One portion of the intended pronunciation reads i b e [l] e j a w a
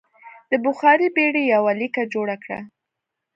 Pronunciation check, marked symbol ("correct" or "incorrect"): incorrect